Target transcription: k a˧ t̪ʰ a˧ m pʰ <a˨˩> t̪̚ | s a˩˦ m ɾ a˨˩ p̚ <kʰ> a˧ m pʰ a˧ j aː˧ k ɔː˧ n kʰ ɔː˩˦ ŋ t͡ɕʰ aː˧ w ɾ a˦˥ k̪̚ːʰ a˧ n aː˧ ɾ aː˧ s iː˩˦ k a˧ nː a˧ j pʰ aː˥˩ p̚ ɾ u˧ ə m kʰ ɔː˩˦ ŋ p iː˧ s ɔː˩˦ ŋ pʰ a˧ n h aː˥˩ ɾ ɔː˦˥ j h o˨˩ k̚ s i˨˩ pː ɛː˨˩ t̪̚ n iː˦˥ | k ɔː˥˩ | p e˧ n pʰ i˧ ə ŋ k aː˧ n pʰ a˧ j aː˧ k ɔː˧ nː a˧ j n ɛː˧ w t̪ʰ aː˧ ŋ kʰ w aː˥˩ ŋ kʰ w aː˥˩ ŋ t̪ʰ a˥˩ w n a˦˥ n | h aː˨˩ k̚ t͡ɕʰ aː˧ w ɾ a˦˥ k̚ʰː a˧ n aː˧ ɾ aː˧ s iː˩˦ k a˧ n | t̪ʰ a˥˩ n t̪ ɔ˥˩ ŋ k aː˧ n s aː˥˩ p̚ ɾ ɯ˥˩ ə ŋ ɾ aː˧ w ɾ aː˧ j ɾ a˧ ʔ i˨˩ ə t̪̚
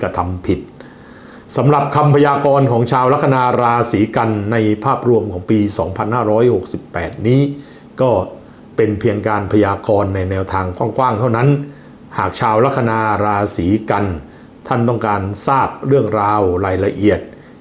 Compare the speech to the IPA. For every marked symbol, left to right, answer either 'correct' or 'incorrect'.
incorrect: i˨˩, correct

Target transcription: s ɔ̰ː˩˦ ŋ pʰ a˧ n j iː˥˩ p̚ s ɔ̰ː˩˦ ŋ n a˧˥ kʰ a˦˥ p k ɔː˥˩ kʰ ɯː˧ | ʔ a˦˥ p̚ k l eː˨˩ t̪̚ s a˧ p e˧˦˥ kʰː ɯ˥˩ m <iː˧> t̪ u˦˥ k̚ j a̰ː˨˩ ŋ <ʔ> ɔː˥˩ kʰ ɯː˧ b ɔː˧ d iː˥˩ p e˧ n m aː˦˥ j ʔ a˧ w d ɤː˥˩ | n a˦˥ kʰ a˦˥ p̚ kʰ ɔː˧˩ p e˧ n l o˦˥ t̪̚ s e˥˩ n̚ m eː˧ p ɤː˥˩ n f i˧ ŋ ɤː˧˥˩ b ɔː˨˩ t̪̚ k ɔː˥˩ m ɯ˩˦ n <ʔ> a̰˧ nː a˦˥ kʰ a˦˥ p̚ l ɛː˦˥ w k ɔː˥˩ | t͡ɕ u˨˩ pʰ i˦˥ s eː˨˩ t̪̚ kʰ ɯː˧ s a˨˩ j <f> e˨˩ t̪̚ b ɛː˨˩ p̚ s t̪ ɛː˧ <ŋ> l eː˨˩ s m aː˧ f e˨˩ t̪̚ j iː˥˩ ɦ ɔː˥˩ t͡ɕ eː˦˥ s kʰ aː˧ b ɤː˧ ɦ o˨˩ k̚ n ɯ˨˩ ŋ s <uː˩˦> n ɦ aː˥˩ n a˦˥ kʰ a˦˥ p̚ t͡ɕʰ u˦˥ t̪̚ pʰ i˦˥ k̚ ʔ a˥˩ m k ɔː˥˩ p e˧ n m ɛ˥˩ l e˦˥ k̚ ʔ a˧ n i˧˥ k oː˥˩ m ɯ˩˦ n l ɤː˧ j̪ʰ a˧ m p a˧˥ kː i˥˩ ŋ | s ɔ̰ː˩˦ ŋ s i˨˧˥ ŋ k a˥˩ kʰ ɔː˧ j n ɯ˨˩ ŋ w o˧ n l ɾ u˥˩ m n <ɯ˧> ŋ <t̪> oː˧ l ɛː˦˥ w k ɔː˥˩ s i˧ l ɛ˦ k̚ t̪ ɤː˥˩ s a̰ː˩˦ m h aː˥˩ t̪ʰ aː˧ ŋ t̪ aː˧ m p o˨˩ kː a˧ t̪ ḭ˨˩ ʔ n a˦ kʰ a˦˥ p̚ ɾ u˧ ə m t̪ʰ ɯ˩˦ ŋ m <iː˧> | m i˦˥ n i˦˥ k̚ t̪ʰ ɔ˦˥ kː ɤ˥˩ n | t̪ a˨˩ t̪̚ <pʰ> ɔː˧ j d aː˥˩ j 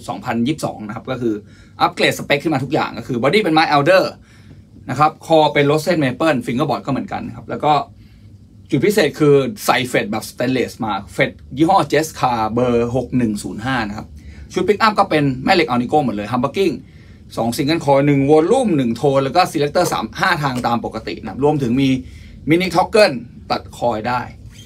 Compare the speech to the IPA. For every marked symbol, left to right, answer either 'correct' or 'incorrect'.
incorrect: aː˧, incorrect: k, incorrect: k, correct, incorrect: n, correct, incorrect: ɯ˨˩, incorrect: t̪ʰ, correct, incorrect: kʰ

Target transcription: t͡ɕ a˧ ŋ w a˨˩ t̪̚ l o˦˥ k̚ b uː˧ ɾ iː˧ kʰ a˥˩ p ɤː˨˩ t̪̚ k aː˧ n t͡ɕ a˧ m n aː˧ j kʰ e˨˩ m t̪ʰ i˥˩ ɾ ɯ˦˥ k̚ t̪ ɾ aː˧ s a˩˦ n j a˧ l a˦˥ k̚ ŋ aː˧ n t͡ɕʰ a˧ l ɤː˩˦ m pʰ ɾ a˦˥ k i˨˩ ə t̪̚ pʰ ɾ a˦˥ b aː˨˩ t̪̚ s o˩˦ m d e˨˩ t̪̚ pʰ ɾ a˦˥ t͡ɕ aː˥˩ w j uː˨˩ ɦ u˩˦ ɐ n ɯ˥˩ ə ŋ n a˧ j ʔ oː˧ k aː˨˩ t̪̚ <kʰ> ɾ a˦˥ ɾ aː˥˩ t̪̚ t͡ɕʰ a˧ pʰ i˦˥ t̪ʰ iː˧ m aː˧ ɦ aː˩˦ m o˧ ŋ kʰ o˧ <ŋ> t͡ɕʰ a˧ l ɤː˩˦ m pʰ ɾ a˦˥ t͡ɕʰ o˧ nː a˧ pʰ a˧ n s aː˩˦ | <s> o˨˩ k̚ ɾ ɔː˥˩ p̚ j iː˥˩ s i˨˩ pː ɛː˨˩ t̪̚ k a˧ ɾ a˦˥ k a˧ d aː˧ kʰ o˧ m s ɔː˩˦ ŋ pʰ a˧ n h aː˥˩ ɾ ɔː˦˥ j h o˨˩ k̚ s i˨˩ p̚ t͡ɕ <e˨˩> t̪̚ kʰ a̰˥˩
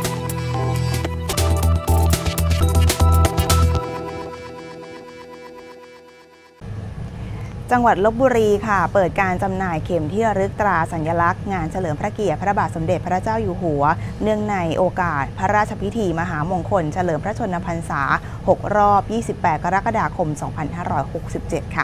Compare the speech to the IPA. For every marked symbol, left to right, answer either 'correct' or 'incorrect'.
incorrect: pʰ, incorrect: n, incorrect: h, correct

